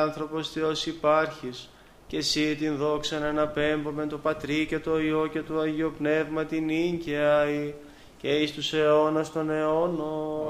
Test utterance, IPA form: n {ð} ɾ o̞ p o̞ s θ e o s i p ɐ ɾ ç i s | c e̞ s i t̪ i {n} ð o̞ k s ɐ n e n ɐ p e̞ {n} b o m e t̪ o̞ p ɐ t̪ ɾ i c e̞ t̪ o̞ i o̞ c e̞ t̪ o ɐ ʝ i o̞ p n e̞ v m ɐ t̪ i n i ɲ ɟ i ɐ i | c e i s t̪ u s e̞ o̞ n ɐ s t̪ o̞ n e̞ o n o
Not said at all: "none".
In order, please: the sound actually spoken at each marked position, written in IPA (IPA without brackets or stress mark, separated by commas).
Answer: θ, n, m